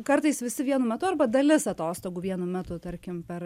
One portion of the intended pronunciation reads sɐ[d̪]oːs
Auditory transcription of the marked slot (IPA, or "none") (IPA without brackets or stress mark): t̪